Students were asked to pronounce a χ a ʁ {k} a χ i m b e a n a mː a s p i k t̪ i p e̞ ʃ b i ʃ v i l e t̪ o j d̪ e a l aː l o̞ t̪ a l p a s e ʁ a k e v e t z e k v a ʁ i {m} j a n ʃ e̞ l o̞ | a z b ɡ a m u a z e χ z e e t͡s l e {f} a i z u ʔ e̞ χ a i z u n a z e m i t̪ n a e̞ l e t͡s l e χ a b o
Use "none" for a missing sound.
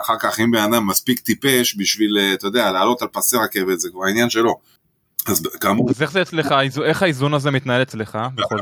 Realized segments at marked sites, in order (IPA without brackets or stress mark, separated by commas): k, n, χ